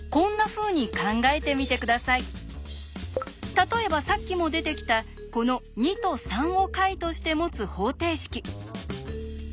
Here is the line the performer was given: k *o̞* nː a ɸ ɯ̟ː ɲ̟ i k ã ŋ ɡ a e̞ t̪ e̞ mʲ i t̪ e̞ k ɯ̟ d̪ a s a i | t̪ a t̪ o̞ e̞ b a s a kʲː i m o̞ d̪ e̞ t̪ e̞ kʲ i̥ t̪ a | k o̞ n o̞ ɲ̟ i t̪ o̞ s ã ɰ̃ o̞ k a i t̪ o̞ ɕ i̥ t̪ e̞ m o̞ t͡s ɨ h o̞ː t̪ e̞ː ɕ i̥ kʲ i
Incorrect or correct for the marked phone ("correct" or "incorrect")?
incorrect